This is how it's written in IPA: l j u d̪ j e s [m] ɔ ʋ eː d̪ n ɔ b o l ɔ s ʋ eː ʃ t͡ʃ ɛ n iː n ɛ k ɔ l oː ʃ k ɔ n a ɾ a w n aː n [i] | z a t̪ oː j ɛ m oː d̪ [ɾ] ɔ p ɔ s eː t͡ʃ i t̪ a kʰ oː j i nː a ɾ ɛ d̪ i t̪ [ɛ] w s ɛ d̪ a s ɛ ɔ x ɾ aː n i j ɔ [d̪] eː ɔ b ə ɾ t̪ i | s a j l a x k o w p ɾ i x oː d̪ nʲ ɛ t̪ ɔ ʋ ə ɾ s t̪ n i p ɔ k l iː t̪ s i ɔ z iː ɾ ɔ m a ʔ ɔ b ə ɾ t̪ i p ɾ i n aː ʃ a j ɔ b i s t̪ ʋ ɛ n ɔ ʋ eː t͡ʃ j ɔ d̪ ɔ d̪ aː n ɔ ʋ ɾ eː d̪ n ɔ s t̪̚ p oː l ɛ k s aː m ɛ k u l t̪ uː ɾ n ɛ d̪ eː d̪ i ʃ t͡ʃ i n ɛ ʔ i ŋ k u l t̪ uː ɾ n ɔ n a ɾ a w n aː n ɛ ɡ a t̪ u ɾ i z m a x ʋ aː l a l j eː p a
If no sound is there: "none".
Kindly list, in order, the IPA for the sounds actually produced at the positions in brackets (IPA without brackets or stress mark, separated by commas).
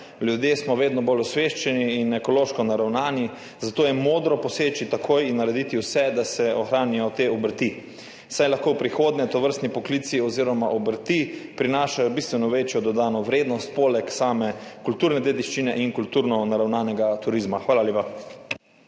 m, i, ɾ, i, t̪